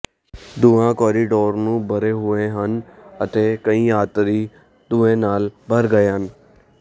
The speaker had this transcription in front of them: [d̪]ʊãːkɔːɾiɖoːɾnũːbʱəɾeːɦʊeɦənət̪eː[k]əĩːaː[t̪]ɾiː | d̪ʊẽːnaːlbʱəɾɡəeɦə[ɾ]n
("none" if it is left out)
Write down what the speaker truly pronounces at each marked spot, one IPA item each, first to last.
d̪, k, t̪, none

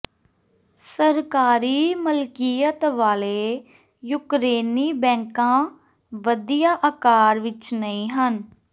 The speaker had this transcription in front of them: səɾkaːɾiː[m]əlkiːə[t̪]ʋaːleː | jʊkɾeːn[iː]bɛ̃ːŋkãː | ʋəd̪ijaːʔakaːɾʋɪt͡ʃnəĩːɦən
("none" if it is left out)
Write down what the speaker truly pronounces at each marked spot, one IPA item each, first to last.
m, t̪, iː

